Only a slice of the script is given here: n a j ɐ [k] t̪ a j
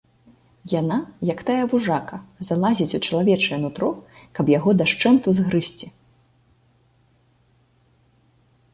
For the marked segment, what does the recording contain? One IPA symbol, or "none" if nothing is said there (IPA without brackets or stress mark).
k